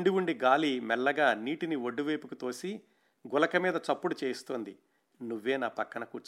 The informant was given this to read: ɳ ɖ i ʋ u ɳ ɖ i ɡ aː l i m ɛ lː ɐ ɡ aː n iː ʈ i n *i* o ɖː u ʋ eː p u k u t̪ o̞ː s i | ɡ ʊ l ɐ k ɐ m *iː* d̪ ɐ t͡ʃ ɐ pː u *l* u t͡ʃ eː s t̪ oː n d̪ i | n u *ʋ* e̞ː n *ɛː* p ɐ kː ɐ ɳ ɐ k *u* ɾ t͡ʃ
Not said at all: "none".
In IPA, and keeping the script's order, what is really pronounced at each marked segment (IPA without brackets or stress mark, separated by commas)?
i, iː, ɽ, ʋː, aː, uː